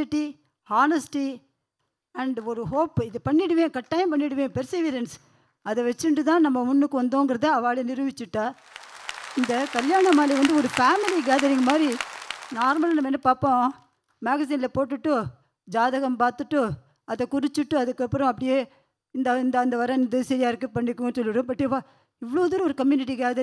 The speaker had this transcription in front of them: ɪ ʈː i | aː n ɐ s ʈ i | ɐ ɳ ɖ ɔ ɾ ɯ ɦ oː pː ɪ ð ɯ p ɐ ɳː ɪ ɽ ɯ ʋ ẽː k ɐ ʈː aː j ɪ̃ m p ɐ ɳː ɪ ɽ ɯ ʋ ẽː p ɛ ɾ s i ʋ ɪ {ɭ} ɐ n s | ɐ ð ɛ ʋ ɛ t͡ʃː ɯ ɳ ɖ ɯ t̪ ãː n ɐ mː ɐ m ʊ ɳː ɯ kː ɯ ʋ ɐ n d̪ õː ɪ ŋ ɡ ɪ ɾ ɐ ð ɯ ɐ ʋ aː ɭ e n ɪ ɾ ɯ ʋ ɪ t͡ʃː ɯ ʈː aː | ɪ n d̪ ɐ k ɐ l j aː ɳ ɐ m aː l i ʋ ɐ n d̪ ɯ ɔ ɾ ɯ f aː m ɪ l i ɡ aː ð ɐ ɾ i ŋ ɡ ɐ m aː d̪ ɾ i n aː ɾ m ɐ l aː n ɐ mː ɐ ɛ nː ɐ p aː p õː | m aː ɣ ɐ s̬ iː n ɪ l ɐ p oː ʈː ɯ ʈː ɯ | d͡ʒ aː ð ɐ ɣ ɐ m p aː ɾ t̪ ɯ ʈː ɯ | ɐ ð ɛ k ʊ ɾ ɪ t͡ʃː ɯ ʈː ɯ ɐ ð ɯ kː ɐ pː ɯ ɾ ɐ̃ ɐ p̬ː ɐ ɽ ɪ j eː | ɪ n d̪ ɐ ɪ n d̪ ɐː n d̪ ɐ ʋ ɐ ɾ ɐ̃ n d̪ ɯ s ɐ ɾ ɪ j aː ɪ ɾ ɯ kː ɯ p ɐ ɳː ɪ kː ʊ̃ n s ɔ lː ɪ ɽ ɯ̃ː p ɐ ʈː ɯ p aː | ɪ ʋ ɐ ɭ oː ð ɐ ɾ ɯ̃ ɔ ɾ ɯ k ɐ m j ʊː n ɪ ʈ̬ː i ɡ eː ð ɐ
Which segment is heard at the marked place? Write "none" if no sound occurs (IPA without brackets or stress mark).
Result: ɾ